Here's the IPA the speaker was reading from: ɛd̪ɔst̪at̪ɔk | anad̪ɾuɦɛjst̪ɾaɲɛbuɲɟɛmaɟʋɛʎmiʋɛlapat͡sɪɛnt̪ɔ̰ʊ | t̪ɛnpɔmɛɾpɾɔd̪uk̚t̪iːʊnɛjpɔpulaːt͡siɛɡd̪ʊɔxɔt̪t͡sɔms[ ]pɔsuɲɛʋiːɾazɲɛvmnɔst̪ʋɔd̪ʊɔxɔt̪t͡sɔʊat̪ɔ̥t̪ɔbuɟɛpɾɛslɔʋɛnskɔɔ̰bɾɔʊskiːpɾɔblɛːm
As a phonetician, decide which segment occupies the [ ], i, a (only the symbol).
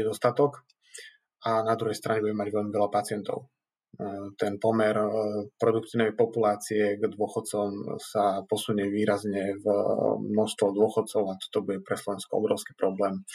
a